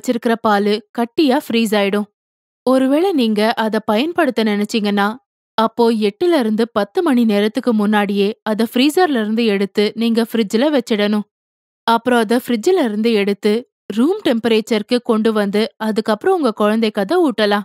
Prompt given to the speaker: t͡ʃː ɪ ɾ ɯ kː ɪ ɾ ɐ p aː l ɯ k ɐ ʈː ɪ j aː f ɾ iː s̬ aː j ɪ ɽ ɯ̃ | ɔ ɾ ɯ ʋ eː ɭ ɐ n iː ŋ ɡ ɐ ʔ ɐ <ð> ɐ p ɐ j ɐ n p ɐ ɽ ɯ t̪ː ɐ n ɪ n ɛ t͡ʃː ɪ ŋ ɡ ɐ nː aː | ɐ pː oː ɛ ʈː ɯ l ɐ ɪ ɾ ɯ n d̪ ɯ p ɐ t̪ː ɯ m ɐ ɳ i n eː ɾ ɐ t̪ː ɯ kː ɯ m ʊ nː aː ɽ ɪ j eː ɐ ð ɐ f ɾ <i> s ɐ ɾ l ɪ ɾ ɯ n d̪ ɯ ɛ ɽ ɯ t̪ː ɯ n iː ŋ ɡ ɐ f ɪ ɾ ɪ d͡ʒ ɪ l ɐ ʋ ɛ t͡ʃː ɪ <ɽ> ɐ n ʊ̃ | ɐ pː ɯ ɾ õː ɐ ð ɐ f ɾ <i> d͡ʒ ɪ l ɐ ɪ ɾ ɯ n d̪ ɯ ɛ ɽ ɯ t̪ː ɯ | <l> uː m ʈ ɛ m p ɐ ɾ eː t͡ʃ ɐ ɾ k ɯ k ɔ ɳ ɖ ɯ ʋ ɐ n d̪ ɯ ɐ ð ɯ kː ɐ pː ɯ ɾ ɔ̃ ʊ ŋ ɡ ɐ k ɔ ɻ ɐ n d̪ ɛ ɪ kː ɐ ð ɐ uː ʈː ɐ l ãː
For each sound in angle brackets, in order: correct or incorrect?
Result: correct, incorrect, correct, incorrect, incorrect

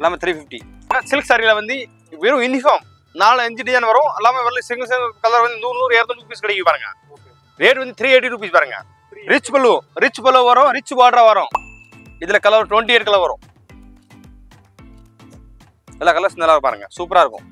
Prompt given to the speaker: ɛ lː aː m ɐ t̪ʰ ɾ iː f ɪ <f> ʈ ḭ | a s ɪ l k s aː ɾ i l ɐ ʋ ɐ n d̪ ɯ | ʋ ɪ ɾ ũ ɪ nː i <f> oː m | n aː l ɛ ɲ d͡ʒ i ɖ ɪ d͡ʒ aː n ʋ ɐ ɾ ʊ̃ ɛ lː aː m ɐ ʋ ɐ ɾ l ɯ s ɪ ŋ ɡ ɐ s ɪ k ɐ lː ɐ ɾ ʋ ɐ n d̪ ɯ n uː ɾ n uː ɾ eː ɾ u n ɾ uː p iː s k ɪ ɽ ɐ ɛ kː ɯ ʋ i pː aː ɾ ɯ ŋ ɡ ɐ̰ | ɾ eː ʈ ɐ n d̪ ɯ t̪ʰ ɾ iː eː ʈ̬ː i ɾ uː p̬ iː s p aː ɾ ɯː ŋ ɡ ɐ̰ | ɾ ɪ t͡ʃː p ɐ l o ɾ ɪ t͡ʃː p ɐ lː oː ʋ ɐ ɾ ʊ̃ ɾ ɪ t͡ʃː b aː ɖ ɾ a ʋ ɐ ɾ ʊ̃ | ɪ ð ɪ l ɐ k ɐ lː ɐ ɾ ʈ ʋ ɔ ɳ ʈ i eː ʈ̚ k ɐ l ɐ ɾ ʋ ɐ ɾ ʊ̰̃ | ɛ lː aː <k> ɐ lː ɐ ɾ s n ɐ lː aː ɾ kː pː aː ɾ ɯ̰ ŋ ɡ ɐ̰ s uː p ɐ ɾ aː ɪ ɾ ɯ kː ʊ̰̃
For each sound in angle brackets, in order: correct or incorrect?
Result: correct, correct, correct

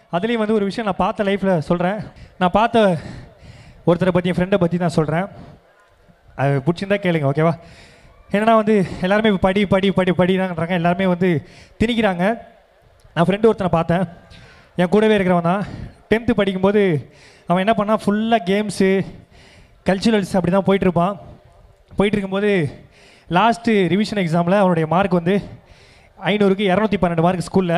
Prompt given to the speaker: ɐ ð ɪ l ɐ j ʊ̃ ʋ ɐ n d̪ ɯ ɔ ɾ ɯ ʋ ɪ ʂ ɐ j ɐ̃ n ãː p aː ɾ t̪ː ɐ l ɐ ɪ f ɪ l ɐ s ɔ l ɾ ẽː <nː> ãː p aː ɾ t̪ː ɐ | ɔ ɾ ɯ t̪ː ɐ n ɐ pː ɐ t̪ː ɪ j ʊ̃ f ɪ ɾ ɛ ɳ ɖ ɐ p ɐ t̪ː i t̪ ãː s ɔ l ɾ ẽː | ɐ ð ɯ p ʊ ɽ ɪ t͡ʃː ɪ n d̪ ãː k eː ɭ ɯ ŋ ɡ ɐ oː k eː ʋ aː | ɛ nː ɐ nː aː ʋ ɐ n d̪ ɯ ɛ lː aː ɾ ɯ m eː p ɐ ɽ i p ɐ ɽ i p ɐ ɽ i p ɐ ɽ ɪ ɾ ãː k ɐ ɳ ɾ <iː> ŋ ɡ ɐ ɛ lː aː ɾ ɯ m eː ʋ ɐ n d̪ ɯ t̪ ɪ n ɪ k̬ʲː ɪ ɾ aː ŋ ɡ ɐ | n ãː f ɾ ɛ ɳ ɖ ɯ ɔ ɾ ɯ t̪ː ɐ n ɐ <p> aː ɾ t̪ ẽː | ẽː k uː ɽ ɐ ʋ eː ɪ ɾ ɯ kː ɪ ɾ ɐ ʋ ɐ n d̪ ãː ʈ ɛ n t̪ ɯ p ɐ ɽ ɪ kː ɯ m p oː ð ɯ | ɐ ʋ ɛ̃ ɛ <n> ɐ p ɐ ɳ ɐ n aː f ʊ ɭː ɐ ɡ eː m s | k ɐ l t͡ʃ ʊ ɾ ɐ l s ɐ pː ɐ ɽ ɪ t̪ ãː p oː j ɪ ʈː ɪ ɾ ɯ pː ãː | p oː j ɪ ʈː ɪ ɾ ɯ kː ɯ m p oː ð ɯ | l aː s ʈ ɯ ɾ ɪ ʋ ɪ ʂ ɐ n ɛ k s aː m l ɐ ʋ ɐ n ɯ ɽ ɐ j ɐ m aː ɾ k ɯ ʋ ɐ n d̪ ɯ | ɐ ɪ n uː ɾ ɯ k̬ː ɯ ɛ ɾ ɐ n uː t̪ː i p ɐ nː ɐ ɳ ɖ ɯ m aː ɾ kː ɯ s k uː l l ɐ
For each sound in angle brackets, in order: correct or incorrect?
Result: incorrect, incorrect, correct, incorrect

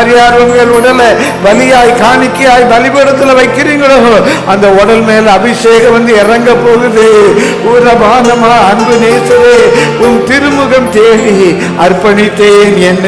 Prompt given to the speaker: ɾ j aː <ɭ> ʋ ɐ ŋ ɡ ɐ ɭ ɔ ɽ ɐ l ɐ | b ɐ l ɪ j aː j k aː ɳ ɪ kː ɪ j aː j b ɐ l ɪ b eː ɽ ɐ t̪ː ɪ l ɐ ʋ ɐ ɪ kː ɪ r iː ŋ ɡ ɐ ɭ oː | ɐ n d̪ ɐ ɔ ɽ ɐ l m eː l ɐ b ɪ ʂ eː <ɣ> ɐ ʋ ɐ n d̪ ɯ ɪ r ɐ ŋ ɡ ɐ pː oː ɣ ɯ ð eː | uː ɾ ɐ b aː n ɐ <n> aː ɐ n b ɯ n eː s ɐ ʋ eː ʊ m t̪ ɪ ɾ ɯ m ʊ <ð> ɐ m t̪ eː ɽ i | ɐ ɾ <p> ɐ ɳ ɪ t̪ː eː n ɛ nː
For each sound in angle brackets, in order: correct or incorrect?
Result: incorrect, correct, incorrect, incorrect, correct

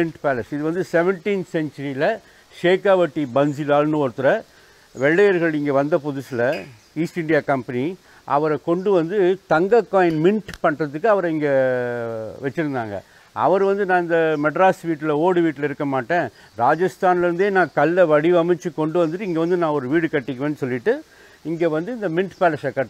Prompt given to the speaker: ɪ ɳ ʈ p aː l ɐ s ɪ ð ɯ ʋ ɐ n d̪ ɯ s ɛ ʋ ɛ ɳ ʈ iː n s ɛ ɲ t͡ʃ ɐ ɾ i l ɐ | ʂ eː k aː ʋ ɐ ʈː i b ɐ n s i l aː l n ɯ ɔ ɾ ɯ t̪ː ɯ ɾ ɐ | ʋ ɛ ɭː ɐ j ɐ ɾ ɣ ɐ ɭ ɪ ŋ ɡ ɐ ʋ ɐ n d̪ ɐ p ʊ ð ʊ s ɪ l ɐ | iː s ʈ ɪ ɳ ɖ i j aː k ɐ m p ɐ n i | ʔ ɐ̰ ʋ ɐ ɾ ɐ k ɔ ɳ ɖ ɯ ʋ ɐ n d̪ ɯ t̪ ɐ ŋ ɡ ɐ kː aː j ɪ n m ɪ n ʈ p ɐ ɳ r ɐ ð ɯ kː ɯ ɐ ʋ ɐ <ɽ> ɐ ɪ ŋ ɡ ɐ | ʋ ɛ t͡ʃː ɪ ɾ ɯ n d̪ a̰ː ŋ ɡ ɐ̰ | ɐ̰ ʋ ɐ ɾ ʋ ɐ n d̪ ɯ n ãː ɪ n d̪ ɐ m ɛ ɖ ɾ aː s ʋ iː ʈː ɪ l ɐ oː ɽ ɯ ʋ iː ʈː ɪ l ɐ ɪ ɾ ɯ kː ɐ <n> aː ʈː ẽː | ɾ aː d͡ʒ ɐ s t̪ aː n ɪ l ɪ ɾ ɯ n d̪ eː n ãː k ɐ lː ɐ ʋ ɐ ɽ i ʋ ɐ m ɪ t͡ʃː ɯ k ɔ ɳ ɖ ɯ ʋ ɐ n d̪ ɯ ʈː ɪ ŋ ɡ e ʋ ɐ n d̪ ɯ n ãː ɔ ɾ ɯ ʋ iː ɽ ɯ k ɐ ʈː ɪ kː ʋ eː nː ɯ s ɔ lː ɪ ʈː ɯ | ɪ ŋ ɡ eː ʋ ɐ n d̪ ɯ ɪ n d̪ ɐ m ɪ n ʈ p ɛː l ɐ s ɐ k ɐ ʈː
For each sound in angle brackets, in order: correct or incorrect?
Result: incorrect, incorrect

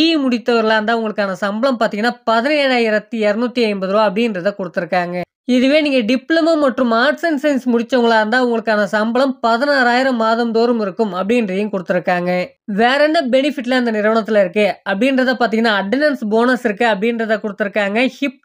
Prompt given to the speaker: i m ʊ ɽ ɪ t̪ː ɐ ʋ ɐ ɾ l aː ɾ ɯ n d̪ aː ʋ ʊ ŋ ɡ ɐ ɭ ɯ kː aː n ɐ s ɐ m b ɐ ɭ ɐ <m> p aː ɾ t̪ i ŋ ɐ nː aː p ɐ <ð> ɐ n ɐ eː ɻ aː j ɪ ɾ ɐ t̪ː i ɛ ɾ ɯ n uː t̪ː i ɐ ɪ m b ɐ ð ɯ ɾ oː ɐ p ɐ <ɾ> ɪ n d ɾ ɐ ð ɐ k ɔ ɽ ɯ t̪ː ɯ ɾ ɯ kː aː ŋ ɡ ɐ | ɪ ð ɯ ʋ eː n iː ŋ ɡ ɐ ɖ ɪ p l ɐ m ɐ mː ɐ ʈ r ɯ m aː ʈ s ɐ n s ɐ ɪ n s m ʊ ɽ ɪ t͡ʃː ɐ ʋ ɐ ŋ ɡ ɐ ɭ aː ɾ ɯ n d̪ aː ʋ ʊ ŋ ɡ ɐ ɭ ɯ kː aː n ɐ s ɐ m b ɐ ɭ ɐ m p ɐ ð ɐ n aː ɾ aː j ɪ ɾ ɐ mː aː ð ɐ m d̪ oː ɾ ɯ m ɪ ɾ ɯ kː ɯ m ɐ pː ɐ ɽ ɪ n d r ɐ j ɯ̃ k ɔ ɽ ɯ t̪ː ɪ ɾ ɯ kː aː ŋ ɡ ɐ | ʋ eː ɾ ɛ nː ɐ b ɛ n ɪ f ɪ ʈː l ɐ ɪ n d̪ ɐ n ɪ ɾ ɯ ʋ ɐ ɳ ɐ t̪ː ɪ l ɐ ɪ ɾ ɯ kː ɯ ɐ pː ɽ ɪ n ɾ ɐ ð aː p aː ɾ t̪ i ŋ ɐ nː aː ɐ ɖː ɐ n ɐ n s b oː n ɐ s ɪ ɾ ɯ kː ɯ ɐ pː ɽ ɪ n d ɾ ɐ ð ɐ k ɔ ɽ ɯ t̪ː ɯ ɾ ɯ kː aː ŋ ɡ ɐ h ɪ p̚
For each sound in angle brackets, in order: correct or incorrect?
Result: correct, correct, incorrect

